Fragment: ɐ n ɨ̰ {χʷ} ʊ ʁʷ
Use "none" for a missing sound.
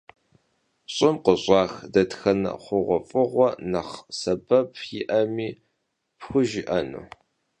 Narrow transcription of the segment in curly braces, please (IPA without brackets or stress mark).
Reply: χʷ